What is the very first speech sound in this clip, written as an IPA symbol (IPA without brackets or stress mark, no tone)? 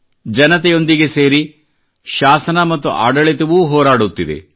d͡ʒ